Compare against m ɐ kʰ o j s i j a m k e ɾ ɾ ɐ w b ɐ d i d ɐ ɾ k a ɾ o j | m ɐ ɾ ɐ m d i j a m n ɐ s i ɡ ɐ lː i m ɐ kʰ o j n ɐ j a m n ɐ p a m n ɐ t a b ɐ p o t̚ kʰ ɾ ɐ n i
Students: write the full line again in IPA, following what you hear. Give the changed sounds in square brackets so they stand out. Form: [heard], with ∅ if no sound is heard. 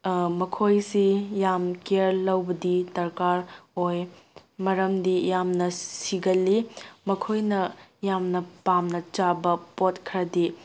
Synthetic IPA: m ɐ kʰ o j s i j a m k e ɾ [l] ɐ w b ɐ d i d ɐ ɾ k a ɾ o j | m ɐ ɾ ɐ m d i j a m n ɐ s i ɡ ɐ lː i m ɐ kʰ o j n ɐ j a m n ɐ p a m n ɐ [t͡ʃ] a b ɐ p o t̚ kʰ ɾ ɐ [d] i